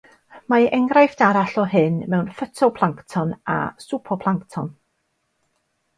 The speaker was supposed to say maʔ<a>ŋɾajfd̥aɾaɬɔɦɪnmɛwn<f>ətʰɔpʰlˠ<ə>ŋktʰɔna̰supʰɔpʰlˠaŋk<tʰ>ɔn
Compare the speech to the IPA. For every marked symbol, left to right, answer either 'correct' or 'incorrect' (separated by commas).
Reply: incorrect, correct, incorrect, correct